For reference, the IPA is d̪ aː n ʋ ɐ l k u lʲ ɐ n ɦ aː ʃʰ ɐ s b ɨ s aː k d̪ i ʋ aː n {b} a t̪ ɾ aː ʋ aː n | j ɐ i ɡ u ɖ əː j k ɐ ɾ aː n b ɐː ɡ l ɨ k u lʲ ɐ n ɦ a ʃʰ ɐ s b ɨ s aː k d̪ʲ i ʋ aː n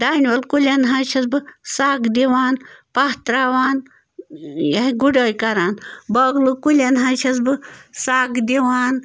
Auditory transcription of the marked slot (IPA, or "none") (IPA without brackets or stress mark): p